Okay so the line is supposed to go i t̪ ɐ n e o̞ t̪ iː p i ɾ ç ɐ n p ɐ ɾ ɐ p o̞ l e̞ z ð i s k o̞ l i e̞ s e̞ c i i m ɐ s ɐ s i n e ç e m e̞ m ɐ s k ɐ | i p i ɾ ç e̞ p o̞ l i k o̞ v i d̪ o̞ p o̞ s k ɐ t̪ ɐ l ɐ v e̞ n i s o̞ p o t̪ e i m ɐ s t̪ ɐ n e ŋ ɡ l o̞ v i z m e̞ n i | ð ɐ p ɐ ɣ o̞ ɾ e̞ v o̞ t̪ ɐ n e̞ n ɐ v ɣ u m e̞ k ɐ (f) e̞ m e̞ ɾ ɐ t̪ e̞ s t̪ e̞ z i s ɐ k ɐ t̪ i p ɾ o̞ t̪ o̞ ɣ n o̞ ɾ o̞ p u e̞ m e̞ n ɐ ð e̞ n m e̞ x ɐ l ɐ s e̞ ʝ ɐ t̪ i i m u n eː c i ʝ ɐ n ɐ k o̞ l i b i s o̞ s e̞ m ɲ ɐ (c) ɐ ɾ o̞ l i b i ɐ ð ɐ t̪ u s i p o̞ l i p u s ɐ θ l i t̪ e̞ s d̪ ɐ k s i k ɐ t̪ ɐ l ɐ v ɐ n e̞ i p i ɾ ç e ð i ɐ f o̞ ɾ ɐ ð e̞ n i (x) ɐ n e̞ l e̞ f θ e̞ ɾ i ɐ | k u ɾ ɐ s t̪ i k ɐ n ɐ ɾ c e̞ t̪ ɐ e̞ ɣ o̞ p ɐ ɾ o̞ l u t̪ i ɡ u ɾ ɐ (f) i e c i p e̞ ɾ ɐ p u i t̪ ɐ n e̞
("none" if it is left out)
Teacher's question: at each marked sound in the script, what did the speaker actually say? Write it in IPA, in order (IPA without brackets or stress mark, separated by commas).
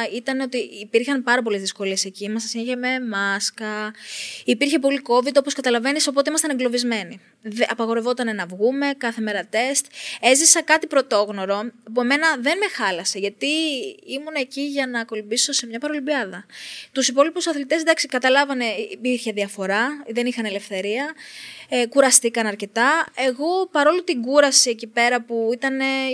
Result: θ, p, x, s